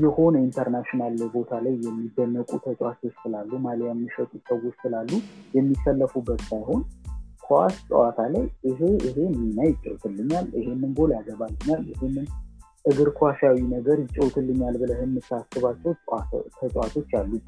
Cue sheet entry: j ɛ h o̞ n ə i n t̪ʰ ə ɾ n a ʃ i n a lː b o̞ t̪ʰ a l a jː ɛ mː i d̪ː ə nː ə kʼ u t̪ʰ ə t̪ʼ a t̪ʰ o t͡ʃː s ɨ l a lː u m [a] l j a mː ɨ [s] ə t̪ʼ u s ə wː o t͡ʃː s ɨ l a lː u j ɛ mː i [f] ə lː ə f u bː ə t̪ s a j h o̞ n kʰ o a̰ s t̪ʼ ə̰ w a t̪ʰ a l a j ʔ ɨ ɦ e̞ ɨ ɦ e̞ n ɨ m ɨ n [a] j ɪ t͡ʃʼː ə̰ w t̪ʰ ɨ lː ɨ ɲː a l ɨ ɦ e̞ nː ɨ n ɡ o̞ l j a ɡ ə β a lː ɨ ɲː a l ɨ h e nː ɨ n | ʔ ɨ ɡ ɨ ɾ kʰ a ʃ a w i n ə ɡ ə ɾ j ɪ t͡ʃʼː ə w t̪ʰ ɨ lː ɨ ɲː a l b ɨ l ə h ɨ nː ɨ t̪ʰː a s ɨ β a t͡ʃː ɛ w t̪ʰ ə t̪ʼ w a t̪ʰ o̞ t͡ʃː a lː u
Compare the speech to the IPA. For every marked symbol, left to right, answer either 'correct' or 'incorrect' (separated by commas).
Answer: correct, incorrect, incorrect, correct